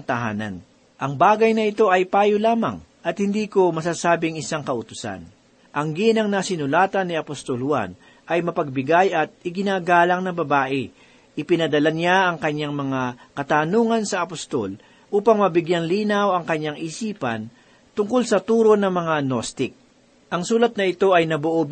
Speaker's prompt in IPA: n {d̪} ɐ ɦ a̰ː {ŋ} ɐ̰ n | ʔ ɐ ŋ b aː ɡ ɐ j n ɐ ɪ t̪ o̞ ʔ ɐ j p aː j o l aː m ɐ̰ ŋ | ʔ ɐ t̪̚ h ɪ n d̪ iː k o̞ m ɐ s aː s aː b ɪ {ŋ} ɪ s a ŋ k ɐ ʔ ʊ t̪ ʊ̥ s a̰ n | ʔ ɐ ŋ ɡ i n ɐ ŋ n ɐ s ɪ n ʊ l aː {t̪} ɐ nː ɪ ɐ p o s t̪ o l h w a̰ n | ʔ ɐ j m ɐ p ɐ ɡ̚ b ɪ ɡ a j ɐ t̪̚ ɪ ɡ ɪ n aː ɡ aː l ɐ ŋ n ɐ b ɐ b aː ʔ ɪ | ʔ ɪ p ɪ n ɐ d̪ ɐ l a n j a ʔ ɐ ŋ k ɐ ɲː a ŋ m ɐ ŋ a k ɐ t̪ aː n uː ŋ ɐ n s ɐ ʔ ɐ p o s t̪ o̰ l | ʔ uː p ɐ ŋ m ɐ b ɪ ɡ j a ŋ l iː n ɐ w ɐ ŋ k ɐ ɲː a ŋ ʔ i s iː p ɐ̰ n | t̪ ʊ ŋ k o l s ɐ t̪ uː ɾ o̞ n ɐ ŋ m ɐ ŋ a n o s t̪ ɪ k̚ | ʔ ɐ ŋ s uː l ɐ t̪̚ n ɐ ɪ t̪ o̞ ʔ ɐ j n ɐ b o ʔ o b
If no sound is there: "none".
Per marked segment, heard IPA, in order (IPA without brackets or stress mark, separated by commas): t̪, n, ŋ, t̪